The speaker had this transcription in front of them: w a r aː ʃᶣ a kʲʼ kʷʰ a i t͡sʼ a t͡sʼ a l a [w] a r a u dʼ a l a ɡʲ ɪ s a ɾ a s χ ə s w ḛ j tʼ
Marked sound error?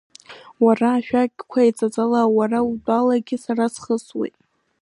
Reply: no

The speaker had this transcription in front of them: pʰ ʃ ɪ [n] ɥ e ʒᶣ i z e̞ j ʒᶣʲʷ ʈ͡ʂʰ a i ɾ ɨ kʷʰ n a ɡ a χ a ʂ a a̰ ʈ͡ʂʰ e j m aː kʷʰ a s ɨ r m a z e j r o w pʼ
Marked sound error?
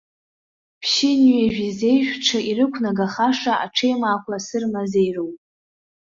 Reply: no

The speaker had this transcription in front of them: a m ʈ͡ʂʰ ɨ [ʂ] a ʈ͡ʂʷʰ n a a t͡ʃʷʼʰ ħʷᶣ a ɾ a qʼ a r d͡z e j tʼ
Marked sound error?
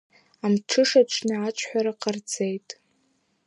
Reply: no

